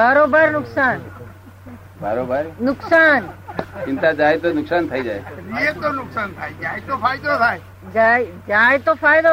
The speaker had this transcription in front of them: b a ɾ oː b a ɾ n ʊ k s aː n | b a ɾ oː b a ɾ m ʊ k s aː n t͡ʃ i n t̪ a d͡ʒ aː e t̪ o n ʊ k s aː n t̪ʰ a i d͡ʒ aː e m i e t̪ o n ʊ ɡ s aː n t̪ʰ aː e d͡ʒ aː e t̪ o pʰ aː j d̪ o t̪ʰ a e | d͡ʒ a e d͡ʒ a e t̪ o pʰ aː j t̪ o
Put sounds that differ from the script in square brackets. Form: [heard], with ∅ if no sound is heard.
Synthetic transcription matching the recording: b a ɾ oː b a ɾ n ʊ k s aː n | b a ɾ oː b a ɾ [n] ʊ k s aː n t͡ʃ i n t̪ a d͡ʒ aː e t̪ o n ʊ k s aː n t̪ʰ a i d͡ʒ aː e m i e t̪ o n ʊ [k] s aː n t̪ʰ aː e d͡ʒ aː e t̪ o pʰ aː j d̪ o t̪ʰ a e | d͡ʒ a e d͡ʒ a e t̪ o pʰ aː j [d̪] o